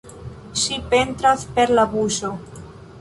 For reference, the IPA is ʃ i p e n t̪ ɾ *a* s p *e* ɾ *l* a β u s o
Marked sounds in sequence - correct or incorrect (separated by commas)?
correct, correct, correct